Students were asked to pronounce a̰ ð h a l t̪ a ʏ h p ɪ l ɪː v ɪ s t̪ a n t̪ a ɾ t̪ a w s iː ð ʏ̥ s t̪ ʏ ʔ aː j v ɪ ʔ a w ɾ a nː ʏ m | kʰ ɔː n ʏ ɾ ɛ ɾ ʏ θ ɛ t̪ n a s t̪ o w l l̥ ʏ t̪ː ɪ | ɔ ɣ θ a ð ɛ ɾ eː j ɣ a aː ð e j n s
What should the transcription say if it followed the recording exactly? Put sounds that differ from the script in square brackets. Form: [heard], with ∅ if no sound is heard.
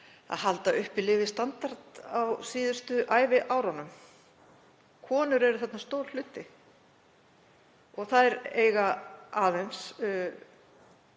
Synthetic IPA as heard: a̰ ð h a l t̪ a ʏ h p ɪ l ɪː v ɪ s t̪ a n t̪ a ɾ t̪ a w s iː ð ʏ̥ s t̪ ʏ ʔ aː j v ɪ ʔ a w ɾ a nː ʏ m | kʰ ɔː n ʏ ɾ ɛ ɾ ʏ θ ɛ t̪ n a s t̪ o w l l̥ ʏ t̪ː ɪ | ɔ ɣ θ a ð ɛ ɾ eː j ɣ a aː ð e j n s

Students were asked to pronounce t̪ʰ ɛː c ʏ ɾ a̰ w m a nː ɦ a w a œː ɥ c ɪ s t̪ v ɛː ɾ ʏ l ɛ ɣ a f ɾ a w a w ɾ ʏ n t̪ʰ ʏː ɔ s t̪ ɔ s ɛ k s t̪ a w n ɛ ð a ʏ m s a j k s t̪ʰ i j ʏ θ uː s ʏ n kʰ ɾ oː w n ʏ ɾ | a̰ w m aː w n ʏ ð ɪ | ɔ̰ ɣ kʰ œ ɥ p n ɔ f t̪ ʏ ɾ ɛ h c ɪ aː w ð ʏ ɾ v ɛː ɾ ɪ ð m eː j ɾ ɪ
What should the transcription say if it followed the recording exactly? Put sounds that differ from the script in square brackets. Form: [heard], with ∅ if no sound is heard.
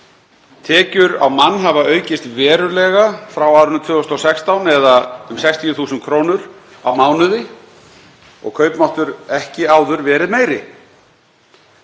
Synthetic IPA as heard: t̪ʰ ɛː c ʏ ɾ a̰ w m a nː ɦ a [v] a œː ɥ c ɪ s t̪ v ɛː ɾ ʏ l ɛ ɣ a f ɾ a w a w ɾ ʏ n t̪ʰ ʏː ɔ s t̪ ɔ s ɛ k s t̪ a w n ɛ ð a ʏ m s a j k s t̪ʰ i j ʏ θ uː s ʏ n kʰ ɾ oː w n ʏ ɾ | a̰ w m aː w n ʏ ð ɪ | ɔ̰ ɣ kʰ œ ɥ p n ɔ [h] t̪ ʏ ɾ ɛ h c ɪ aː w ð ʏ ɾ v ɛː ɾ ɪ ð m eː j ɾ ɪ

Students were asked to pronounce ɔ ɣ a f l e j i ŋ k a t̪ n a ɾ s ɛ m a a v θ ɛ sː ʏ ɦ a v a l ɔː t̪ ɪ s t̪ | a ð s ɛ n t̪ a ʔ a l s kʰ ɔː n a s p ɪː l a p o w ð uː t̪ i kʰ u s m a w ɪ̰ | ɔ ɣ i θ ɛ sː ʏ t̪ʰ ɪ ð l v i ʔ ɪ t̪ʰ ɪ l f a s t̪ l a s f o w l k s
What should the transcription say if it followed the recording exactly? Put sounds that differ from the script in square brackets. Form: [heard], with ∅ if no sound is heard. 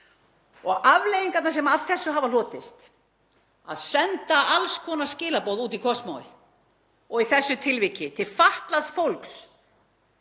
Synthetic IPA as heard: ɔ ɣ a [v] l e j i ŋ k a t̪ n a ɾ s ɛ m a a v θ ɛ sː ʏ ɦ a v a l ɔː t̪ ɪ s t̪ | a ð s ɛ n t̪ a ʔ a l s kʰ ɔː n a s [c] ɪː l a p o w ð uː t̪ i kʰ [ɔ] s m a w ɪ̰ | ɔ ɣ i θ ɛ sː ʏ t̪ʰ ɪ [∅] l v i [c] ɪ t̪ʰ ɪ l f a [h] t̪ l a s f o w l k s

